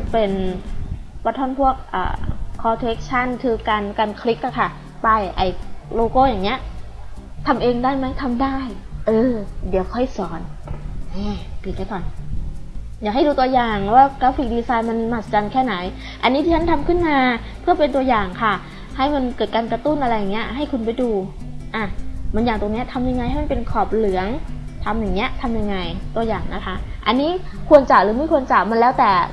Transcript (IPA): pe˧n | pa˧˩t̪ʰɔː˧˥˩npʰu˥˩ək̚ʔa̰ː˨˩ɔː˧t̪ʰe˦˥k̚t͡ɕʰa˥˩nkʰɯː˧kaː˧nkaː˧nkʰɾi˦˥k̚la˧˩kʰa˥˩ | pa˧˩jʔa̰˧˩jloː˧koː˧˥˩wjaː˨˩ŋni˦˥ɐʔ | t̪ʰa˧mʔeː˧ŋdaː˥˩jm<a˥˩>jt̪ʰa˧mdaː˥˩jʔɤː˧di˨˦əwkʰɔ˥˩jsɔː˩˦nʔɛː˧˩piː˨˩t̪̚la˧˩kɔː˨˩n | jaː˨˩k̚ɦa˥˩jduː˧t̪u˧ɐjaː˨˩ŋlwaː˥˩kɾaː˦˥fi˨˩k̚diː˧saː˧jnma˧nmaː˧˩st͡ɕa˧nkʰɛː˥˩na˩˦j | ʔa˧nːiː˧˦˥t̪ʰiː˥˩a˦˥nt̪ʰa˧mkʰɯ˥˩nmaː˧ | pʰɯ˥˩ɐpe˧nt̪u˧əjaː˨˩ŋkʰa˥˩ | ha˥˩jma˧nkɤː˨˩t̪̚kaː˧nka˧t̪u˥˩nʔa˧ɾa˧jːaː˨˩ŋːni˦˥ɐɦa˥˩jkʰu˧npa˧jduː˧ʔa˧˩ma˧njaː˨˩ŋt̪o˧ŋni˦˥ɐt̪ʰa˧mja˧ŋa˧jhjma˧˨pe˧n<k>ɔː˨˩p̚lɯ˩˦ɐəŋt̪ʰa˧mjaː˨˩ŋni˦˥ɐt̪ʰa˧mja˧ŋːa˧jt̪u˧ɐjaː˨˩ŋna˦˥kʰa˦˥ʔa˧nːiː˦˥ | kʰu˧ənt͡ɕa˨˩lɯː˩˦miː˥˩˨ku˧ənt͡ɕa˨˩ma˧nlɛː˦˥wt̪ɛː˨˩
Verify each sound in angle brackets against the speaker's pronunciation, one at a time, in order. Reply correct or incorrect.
incorrect: a˦˥, incorrect: kʰ

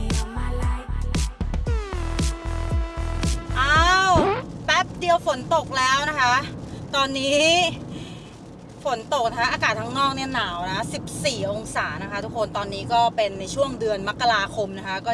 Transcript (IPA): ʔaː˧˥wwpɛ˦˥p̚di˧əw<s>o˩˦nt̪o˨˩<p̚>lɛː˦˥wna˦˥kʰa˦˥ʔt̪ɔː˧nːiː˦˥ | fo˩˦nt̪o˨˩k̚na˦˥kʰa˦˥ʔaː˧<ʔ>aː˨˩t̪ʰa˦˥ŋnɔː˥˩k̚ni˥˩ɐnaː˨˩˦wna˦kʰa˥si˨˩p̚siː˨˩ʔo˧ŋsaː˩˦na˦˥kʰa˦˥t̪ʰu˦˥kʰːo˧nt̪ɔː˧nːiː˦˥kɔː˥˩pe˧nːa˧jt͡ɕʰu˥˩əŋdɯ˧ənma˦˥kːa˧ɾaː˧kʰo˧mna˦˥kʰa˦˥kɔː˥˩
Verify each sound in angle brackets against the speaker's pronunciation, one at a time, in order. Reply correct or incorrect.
incorrect: f, incorrect: k̚, incorrect: k

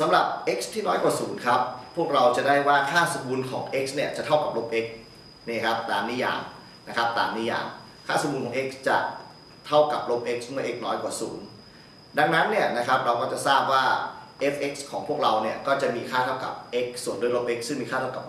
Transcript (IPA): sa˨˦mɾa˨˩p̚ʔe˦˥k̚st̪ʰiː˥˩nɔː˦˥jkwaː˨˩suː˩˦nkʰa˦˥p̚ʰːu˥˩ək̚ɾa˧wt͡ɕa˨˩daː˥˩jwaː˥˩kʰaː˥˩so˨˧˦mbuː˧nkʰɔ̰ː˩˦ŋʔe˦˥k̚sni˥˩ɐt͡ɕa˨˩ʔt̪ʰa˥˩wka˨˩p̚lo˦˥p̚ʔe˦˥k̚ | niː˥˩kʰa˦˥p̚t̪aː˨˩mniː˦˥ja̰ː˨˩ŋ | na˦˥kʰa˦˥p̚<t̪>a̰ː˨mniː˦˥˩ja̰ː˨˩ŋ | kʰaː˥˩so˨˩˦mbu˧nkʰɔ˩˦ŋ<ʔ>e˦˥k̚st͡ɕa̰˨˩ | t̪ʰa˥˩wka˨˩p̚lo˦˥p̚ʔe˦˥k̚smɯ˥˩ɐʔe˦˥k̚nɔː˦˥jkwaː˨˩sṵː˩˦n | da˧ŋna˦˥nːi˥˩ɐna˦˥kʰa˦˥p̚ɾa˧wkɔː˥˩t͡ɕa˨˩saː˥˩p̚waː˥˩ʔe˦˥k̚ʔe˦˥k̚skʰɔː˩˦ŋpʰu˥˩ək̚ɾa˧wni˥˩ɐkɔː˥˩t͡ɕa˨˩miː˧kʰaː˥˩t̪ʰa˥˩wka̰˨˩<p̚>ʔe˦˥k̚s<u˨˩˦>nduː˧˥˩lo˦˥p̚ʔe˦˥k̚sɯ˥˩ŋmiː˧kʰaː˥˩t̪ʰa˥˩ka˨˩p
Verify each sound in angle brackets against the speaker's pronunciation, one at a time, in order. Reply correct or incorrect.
correct, correct, correct, correct

